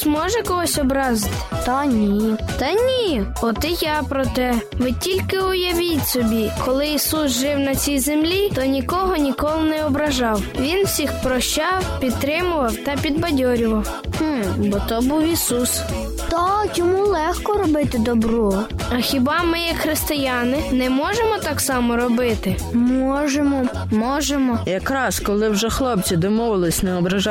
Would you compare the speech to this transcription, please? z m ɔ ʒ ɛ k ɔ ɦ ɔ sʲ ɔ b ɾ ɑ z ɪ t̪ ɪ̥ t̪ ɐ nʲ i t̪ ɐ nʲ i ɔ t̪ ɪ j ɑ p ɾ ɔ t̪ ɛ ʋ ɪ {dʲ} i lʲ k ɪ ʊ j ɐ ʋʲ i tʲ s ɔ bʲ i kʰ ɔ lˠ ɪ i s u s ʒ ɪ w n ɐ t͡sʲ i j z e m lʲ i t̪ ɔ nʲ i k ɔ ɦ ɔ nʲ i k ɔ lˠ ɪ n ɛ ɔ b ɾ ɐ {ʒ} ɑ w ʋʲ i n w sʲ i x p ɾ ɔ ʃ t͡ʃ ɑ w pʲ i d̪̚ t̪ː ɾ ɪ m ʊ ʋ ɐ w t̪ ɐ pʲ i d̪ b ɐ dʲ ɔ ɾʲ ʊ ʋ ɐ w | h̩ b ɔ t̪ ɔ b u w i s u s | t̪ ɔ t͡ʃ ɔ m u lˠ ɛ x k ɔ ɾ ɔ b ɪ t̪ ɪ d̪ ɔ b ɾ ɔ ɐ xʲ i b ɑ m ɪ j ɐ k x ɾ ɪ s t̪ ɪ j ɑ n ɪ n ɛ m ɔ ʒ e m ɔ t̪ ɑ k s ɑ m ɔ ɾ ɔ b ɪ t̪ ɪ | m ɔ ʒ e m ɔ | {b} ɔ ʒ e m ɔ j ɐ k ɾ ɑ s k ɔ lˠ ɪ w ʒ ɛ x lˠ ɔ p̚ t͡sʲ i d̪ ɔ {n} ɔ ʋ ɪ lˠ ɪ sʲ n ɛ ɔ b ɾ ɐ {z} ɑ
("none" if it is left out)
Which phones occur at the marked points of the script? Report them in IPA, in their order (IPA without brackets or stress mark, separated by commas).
tʲ, ʒ, m, m, ʒ